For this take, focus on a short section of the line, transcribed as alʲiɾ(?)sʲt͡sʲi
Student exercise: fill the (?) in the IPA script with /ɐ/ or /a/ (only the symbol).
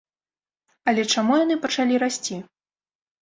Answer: a